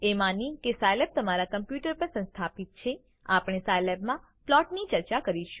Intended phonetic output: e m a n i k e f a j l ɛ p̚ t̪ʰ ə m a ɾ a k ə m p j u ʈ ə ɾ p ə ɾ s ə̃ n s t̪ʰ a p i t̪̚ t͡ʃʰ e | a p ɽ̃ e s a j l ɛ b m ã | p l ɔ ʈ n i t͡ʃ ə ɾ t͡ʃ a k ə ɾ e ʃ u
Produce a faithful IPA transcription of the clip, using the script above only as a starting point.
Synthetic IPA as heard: e m a n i k e s a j l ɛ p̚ t̪ ə m a ɾ a k ə m p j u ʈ ə ɾ p ə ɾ s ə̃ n s t̪ʰ a p i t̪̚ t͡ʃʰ e | a p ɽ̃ e s a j l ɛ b m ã | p l ɔ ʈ n i t͡ʃ ə ɾ t͡ʃ a k ə ɾ i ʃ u